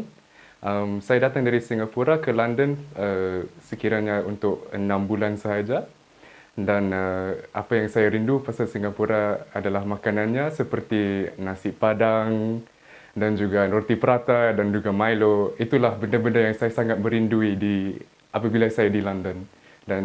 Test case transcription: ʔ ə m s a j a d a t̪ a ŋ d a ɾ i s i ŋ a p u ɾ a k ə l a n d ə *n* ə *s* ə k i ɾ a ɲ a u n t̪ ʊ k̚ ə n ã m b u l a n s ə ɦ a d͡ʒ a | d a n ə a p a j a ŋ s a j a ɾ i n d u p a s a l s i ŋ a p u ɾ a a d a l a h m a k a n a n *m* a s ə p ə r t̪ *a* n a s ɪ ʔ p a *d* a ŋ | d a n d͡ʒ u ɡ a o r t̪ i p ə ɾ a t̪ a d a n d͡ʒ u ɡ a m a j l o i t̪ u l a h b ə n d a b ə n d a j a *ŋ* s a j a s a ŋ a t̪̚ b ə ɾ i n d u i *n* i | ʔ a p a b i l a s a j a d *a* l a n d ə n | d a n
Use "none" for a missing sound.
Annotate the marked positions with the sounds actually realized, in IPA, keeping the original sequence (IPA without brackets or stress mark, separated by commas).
n, s, ɲ, i, d, ŋ, d, i